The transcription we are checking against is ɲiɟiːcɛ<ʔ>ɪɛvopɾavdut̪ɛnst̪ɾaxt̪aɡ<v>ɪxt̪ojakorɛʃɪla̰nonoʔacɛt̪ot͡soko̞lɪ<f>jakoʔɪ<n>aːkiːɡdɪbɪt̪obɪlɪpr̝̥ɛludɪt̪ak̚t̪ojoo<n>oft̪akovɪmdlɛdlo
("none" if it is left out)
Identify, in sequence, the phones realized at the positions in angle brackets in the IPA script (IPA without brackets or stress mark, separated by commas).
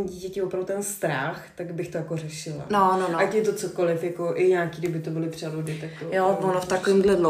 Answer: c, b, f, ɲ, n